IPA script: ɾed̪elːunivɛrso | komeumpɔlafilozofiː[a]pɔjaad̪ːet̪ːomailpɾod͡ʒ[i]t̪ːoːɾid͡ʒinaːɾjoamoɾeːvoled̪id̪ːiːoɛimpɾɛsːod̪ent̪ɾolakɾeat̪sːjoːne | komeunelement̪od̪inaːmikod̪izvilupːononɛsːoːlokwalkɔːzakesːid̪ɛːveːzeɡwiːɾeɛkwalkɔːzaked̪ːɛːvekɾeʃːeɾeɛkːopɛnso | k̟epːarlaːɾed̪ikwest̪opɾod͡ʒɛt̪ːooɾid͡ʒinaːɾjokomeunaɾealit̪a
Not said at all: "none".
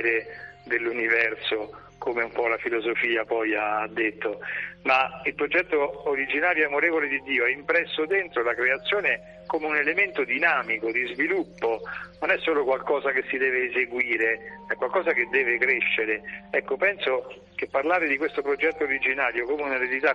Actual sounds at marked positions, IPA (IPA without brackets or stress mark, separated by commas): a, ɛ